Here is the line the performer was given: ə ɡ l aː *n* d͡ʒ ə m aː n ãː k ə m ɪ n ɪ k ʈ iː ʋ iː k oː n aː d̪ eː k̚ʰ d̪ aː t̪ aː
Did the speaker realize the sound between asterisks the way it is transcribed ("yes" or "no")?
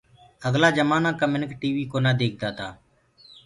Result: no